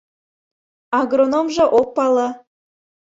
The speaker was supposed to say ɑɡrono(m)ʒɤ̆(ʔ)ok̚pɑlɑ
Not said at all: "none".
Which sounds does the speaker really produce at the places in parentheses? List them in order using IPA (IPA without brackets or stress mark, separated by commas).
m, ʔ